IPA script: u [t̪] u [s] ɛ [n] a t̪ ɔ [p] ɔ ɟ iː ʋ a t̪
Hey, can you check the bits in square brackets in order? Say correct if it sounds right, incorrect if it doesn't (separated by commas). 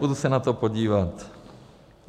incorrect, correct, correct, correct